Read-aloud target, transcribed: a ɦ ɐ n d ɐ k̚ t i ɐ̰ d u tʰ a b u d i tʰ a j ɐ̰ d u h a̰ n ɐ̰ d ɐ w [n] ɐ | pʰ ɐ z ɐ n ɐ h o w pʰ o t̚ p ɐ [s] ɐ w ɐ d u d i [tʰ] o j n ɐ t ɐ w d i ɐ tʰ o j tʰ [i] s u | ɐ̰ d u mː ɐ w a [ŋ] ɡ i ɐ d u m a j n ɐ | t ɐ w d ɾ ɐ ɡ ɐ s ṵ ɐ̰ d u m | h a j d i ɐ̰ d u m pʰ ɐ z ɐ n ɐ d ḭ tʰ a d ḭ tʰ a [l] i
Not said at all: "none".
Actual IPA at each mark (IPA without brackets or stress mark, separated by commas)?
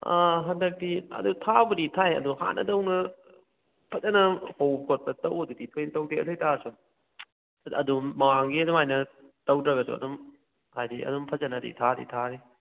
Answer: n, t, tʰ, a, ŋ, ɾ